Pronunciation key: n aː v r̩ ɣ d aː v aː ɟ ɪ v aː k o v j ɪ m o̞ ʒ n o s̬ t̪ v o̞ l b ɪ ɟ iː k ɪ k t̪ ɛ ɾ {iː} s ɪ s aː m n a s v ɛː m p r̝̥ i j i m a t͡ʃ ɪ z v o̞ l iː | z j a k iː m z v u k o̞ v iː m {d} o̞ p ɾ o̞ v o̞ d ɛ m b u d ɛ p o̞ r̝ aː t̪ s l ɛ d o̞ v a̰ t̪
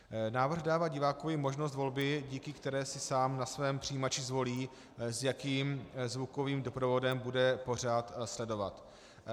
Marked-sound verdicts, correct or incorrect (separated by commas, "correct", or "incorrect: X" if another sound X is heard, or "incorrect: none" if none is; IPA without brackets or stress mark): incorrect: ɛː, correct